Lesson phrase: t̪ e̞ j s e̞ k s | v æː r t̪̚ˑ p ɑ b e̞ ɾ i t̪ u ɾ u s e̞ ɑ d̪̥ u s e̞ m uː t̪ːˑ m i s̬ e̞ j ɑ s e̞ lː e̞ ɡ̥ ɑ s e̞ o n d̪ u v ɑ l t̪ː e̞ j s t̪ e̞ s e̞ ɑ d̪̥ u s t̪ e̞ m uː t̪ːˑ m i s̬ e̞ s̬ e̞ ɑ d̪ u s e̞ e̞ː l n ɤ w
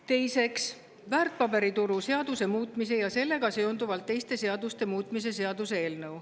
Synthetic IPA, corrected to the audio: t̪ e̞ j s e̞ k s | v æː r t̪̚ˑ p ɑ b e̞ ɾ i t̪ u ɾ u s e̞ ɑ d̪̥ u s e̞ m uː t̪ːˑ m i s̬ e̞ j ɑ s e̞ lː e̞ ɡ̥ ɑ s e̞ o n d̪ u v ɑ l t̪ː e̞ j s t̪ e̞ s e̞ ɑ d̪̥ u s t̪ e̞ m uː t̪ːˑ m i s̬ e̞ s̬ e̞ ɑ d̪ u s e̞ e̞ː l n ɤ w